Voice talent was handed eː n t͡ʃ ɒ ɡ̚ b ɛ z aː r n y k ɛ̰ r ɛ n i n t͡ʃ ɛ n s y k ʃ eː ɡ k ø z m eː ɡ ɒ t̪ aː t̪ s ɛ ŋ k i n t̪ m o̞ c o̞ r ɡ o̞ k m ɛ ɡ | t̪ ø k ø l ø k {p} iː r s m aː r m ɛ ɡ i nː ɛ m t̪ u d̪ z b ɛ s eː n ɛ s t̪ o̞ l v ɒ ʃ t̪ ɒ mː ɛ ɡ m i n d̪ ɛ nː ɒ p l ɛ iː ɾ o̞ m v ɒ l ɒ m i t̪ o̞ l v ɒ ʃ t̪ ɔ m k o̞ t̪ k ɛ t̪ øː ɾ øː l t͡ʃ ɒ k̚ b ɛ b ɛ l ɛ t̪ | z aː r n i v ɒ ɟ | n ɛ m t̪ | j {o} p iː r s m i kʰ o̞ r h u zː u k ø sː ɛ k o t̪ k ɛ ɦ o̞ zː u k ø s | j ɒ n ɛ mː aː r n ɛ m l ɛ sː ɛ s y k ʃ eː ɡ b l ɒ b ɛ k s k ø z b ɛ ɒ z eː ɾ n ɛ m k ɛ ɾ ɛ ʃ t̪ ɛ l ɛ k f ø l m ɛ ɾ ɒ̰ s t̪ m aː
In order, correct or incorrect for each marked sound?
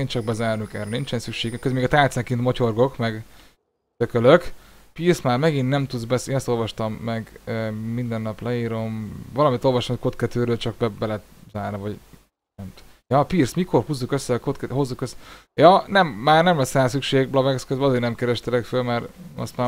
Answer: correct, incorrect

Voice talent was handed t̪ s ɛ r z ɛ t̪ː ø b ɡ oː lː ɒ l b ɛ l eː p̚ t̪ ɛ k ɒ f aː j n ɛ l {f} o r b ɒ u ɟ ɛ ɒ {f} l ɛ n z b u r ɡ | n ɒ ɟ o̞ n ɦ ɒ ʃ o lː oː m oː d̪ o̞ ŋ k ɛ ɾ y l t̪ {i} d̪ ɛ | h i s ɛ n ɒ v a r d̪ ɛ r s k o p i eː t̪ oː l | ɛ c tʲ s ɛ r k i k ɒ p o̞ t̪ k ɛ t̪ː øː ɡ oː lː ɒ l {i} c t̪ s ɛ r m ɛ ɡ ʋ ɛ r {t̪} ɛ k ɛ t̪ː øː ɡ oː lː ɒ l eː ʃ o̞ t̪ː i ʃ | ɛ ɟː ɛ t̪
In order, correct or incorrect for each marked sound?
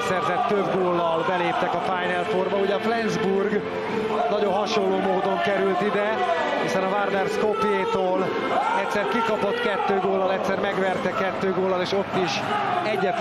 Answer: correct, correct, correct, incorrect, correct

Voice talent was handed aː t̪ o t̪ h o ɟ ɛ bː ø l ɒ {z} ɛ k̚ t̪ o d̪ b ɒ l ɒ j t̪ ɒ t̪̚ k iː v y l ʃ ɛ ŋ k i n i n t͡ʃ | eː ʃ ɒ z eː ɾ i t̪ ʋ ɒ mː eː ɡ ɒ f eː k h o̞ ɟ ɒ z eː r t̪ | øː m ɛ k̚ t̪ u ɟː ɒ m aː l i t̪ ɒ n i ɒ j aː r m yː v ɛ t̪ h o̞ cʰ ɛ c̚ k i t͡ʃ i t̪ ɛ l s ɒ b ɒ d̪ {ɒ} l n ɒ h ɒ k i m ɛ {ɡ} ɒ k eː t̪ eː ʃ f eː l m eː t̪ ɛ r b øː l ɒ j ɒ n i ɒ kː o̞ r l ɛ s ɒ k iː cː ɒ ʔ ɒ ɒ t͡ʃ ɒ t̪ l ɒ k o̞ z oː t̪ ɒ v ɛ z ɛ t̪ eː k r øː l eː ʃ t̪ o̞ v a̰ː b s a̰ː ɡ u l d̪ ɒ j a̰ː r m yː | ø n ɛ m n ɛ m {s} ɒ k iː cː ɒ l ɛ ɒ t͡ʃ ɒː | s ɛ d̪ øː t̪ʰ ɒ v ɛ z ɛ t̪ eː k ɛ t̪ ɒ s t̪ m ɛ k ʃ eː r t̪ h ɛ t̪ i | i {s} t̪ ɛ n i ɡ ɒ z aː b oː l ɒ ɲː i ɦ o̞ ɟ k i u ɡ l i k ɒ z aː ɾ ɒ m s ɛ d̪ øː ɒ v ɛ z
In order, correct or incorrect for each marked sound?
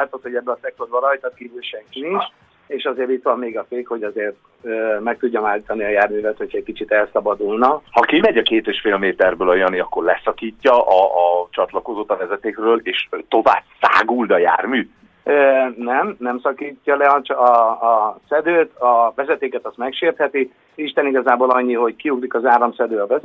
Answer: incorrect, incorrect, incorrect, correct, incorrect

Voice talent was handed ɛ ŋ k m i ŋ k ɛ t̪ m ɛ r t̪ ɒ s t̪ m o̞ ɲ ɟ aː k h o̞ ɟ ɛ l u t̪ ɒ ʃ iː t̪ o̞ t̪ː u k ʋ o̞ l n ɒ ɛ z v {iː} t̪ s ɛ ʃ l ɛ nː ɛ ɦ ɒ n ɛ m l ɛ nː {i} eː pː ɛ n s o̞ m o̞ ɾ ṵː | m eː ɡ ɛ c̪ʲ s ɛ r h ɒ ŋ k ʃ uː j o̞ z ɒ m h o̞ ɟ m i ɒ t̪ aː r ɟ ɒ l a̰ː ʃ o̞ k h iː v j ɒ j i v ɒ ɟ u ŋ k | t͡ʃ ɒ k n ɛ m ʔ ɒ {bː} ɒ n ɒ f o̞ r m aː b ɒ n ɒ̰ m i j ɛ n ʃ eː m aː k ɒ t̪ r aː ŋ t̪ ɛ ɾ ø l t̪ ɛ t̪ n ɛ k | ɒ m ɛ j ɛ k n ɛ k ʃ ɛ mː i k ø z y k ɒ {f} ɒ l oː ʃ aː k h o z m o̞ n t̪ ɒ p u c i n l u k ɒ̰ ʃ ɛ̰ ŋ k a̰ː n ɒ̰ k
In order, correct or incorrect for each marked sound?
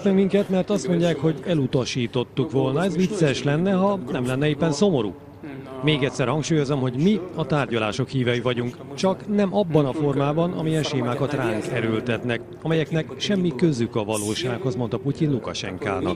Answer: incorrect, incorrect, correct, incorrect

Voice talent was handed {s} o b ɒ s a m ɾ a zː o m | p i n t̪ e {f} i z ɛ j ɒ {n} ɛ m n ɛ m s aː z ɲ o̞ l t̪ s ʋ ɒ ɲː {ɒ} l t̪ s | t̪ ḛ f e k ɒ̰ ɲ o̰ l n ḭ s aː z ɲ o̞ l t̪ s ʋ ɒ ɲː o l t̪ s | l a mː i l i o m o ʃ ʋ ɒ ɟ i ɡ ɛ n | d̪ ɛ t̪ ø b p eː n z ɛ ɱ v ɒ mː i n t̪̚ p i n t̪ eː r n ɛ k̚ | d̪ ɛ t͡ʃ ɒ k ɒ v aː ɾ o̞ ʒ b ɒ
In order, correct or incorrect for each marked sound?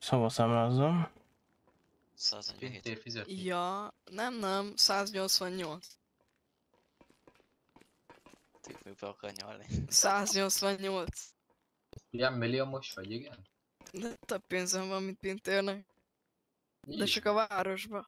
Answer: correct, correct, correct, incorrect

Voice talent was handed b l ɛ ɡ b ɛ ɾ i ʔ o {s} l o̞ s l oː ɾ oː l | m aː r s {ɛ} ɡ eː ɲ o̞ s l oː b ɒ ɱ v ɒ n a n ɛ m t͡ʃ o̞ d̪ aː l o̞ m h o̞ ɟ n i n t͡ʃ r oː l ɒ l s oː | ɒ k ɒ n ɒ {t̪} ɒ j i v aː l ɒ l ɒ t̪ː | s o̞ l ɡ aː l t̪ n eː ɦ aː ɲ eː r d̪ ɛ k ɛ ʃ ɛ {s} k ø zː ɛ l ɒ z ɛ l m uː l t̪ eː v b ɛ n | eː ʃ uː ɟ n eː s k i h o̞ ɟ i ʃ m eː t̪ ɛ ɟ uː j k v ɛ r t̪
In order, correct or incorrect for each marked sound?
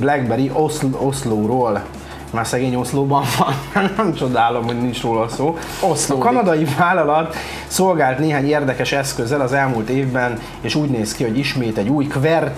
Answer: correct, correct, incorrect, correct

